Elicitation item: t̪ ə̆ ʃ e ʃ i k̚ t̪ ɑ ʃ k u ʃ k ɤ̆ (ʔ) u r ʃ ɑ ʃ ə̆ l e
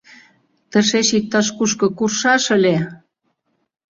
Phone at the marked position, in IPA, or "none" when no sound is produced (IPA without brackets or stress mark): k